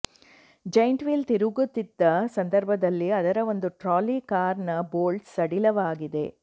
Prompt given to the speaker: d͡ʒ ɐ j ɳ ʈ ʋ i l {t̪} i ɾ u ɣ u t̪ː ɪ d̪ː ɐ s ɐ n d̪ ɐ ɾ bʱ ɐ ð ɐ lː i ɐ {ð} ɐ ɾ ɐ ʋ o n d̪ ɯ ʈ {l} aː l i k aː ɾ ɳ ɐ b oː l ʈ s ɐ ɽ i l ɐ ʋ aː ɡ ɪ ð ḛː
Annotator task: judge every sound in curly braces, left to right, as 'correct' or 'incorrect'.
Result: correct, correct, incorrect

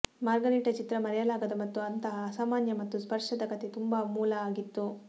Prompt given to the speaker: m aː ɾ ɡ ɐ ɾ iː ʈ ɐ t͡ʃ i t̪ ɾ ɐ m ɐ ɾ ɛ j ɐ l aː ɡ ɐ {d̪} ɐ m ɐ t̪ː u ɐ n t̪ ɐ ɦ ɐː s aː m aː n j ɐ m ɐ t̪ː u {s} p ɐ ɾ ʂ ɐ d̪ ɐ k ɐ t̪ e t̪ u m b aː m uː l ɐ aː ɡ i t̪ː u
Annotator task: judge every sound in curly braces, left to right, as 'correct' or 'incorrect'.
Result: correct, correct

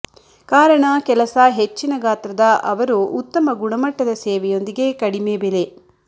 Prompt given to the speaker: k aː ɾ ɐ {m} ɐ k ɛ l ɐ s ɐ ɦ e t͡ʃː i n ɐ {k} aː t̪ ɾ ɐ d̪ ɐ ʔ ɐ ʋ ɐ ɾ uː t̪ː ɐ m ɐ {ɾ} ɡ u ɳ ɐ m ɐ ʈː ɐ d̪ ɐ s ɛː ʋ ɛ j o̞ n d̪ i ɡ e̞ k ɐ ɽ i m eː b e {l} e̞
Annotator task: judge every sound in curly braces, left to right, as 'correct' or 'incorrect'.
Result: incorrect, incorrect, incorrect, correct

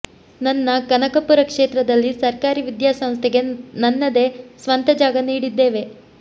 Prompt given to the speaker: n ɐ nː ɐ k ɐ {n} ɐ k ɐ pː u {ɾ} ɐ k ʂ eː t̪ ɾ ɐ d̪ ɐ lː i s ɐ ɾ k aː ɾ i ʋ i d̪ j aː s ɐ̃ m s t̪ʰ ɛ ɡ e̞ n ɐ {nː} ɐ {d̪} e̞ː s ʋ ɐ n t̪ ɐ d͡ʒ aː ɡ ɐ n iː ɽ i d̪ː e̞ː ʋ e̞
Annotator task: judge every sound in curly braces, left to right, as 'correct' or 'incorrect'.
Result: correct, correct, correct, correct

